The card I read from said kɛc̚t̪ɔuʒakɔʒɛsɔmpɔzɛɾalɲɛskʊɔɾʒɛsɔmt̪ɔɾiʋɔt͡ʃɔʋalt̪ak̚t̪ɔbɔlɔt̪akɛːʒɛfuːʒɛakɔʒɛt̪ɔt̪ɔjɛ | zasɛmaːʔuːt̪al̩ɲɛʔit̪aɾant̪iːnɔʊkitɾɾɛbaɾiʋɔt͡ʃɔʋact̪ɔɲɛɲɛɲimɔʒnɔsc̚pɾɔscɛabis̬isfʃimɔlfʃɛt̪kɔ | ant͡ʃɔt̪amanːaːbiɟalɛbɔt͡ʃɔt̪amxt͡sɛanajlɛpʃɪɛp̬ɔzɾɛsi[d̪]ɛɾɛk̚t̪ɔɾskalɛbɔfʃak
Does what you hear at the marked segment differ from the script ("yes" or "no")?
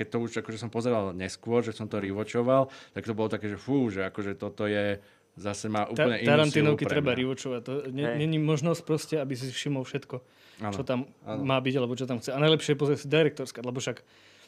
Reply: no